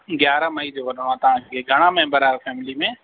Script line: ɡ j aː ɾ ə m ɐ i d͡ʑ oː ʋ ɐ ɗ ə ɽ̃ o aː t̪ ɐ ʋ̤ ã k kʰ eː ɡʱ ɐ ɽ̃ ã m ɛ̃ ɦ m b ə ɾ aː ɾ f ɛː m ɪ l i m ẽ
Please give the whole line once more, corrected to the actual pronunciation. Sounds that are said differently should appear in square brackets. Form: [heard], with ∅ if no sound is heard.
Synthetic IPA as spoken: ɡ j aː ɾ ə m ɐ i d͡ʑ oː ʋ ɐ ɗ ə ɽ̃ o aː t̪ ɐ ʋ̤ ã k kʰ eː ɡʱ ɐ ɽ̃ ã m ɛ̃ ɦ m b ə ɾ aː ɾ f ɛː m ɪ l i m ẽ